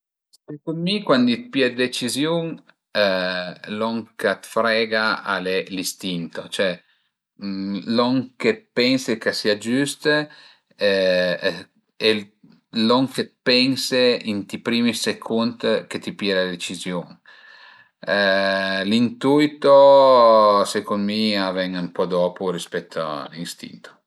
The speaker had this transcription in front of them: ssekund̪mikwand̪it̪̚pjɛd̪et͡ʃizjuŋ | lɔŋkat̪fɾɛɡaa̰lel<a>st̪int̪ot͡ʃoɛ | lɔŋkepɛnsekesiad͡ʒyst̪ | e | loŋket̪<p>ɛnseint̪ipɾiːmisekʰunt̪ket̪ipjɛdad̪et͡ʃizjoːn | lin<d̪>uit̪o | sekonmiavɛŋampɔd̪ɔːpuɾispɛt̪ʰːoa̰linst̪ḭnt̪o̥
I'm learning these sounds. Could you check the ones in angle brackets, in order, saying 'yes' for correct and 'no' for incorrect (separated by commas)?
no, yes, no